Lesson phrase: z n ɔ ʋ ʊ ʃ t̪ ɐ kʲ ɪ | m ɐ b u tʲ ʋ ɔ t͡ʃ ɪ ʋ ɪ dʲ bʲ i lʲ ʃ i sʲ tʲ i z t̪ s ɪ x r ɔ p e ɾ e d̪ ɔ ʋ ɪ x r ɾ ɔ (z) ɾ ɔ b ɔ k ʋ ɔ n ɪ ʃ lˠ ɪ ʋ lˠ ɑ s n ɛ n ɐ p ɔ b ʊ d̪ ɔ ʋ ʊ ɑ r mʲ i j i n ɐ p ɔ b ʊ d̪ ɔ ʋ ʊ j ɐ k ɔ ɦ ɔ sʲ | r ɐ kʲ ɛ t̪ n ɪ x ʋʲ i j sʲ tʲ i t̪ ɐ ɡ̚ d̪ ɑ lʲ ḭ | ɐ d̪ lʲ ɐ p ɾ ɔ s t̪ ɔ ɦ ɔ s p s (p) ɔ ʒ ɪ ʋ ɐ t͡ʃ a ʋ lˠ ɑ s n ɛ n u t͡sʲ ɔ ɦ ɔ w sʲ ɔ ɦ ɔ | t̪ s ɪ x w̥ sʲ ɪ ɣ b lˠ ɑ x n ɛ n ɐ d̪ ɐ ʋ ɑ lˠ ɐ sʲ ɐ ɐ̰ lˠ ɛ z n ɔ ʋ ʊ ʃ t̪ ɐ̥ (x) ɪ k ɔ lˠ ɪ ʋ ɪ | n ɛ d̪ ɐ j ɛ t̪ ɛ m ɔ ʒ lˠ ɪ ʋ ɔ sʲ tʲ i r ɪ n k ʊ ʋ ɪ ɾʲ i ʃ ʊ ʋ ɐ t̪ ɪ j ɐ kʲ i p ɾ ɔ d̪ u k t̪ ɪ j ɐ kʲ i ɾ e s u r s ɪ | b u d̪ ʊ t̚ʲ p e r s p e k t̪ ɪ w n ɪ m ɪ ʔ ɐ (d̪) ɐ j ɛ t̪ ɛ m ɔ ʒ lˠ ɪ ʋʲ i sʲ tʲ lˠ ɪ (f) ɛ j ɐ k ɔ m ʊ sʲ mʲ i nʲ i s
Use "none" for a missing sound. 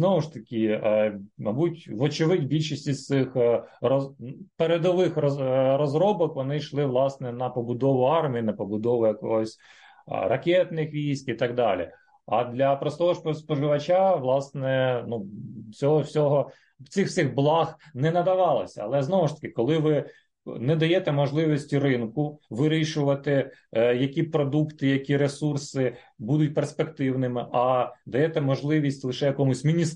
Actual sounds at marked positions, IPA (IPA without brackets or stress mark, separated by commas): z, p, k, d̪, ʃ